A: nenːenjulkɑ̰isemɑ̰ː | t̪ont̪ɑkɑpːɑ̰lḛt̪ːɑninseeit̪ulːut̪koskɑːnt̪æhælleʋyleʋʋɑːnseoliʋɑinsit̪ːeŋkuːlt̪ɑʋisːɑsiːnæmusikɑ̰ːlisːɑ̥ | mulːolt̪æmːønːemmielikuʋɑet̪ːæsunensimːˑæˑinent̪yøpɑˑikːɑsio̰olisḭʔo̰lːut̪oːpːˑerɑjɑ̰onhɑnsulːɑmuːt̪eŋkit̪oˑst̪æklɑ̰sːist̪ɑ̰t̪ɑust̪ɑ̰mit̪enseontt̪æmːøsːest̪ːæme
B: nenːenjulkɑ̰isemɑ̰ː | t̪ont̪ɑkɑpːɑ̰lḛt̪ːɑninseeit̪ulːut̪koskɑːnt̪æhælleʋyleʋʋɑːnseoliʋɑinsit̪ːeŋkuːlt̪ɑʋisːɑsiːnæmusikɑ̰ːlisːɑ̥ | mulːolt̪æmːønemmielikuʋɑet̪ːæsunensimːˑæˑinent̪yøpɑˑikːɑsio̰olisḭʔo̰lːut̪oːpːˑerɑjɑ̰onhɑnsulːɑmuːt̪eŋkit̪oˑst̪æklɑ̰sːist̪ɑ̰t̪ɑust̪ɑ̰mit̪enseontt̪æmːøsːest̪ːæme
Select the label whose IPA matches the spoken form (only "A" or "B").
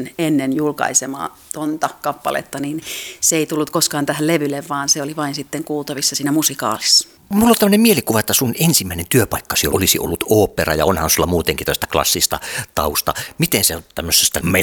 B